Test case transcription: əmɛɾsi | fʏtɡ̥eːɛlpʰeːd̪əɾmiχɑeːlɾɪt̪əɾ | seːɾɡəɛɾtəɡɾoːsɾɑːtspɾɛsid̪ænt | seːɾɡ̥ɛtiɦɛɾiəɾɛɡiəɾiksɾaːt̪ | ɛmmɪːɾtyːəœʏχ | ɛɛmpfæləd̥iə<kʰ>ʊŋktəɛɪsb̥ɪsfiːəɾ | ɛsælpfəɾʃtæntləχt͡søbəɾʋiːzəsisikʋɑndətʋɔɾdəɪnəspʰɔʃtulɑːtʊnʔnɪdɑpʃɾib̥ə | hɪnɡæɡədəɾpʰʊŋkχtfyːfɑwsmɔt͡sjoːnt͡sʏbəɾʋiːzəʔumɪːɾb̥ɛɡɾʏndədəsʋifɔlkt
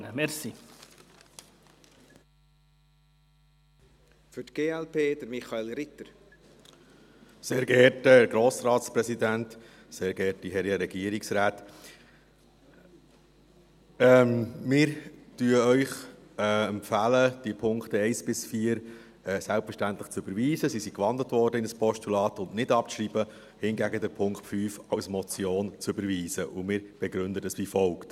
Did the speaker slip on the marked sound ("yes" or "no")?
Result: yes